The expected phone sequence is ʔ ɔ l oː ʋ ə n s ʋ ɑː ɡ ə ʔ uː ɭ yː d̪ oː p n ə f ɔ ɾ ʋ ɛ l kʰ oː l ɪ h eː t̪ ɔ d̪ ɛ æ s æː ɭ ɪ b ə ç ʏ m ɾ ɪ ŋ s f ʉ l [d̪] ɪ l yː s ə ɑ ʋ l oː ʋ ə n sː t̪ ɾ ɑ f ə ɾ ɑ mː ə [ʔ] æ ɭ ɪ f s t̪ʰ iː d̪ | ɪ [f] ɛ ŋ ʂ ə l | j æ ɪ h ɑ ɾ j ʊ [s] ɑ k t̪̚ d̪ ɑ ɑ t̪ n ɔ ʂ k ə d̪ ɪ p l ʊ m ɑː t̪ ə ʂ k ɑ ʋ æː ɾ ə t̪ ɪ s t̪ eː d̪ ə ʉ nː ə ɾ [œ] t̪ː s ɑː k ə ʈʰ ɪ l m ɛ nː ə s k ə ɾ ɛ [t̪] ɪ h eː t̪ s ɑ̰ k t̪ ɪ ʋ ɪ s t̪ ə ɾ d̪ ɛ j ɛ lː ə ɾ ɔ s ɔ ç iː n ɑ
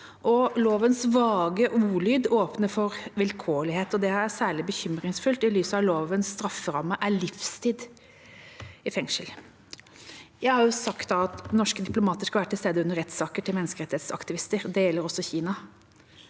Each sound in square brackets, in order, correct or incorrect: incorrect, correct, correct, correct, incorrect, correct

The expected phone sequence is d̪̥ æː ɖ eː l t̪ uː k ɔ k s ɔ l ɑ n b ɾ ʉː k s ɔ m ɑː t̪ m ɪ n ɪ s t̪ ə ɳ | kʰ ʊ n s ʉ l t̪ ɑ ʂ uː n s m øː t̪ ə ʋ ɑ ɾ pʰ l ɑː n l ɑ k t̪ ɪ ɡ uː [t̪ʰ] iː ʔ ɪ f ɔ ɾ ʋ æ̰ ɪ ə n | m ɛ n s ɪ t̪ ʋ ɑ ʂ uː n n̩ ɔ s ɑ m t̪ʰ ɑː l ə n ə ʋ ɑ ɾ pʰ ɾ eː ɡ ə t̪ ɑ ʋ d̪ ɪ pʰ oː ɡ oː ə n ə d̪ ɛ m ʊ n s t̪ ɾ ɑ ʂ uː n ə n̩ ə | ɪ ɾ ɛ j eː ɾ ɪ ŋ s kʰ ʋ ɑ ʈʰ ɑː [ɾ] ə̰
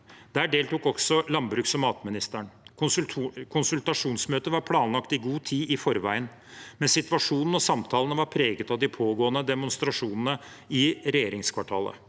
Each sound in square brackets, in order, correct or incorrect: correct, incorrect

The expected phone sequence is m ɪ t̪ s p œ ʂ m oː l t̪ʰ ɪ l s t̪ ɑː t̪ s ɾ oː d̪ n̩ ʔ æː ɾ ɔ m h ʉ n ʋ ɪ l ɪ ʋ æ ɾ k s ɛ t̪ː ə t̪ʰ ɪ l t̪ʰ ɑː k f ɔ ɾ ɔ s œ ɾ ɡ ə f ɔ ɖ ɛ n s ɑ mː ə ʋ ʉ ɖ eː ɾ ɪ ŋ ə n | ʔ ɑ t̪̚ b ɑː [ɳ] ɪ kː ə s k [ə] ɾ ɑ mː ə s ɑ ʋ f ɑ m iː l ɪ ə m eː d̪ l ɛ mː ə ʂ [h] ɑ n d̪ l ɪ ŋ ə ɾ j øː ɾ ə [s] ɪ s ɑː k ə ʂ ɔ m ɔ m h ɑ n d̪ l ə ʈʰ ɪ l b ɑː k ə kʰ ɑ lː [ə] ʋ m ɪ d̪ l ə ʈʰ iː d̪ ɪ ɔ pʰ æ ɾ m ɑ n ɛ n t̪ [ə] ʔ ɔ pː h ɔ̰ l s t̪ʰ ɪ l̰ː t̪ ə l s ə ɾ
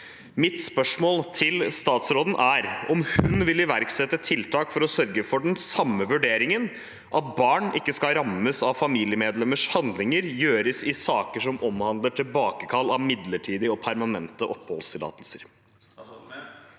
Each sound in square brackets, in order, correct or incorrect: correct, incorrect, correct, correct, incorrect, correct

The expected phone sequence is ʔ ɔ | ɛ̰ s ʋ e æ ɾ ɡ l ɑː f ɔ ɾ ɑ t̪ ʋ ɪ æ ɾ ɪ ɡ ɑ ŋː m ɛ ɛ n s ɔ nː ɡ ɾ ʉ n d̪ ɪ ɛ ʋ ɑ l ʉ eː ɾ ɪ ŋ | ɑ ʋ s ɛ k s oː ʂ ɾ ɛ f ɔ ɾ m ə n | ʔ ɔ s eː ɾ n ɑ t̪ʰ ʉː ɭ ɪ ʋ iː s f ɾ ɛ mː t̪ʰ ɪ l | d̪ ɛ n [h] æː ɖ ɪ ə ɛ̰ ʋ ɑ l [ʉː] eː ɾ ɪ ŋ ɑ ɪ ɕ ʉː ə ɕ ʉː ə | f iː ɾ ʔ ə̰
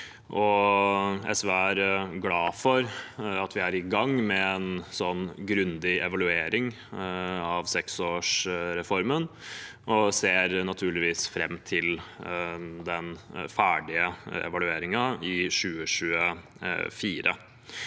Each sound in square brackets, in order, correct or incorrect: incorrect, incorrect

